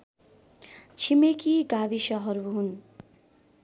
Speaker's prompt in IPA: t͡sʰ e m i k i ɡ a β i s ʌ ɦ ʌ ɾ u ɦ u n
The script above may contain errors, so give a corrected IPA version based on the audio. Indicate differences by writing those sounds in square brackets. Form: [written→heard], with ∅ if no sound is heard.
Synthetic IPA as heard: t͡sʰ [e→i] m [i→e] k i ɡ a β i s ʌ ɦ ʌ ɾ u ɦ u n